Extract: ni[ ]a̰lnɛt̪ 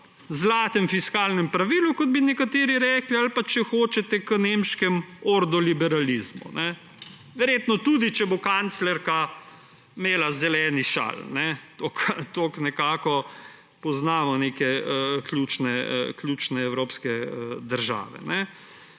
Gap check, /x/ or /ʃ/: ʃ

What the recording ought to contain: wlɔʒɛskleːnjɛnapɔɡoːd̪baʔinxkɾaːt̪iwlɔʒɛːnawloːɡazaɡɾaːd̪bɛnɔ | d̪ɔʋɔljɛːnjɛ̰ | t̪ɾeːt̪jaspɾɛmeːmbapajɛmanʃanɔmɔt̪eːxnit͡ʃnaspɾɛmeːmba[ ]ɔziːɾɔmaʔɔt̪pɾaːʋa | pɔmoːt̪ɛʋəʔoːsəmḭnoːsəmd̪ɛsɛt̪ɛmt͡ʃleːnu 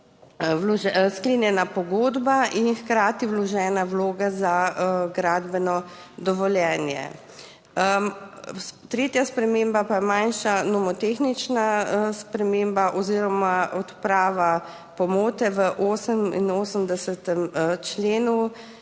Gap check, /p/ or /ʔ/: ʔ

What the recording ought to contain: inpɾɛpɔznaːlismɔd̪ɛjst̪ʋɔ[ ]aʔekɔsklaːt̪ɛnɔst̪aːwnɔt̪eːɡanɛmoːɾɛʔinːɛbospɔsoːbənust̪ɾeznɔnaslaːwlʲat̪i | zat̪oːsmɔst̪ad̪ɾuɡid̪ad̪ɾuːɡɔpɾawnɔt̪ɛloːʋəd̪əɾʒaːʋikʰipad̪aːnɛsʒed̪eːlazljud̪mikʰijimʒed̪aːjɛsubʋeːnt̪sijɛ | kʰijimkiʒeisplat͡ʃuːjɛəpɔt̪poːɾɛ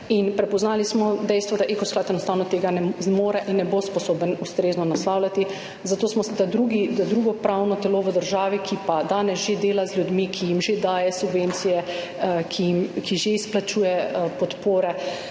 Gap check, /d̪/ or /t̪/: d̪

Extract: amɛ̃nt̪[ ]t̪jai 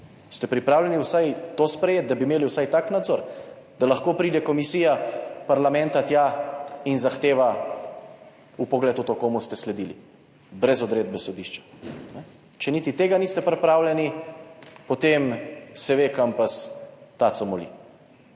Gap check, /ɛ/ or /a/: a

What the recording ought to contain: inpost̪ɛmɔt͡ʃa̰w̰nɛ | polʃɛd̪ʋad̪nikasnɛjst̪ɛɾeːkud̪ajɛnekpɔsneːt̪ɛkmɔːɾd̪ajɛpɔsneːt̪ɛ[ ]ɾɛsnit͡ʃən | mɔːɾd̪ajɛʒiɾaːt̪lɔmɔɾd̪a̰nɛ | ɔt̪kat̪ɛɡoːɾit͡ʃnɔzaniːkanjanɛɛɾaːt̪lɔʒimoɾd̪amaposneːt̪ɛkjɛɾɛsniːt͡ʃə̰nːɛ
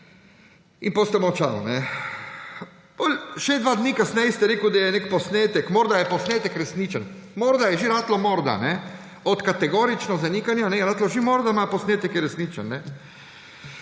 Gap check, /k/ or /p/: k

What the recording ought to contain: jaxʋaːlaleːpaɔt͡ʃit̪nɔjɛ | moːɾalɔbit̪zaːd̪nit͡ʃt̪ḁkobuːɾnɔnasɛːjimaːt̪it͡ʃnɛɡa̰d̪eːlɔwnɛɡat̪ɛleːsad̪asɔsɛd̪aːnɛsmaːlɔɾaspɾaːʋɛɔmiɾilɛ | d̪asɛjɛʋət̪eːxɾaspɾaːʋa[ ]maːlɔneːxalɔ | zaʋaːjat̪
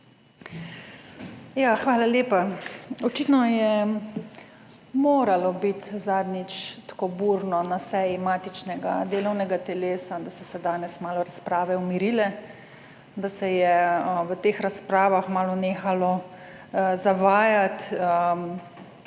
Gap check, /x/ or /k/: x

